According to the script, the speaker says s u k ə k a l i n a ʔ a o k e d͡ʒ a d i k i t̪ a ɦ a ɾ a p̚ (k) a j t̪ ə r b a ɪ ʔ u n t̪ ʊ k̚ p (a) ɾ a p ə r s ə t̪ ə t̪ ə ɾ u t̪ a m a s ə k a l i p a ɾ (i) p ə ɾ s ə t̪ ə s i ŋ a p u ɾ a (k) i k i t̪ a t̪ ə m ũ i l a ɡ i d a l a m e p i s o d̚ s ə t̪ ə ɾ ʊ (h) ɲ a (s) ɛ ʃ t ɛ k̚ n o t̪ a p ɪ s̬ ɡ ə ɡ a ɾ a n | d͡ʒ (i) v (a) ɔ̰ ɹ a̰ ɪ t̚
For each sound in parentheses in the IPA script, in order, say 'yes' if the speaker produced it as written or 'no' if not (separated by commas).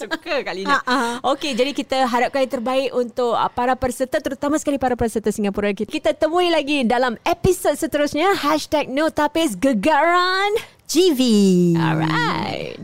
yes, yes, no, yes, no, no, yes, no